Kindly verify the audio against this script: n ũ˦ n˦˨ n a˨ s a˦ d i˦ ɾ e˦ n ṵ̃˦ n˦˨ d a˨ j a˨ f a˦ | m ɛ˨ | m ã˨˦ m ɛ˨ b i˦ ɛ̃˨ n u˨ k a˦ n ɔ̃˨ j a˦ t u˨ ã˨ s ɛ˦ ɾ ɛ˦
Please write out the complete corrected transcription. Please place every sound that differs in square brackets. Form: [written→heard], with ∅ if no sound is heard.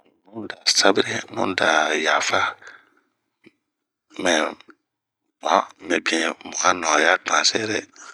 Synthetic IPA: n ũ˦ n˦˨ [n→d] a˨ s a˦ [d→b] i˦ ɾ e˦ n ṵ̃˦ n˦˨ d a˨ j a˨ f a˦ | m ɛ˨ | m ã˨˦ m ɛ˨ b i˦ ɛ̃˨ [n→m] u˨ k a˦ n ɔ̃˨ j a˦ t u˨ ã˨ s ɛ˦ ɾ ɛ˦